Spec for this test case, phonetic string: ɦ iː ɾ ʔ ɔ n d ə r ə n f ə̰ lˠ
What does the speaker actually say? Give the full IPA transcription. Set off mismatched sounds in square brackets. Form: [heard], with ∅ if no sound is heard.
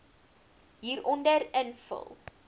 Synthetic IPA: ɦ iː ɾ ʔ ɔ n d ə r ə n f ə̰ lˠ